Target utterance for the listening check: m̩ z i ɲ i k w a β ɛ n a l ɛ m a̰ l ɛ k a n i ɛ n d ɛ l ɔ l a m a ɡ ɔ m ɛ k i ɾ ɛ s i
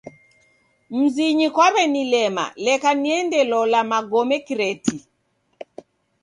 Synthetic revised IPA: m̩ z i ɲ i k w a β ɛ n i l ɛ m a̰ l ɛ k a n i ɛ n d ɛ l ɔ l a m a ɡ ɔ m ɛ k i ɾ ɛ t i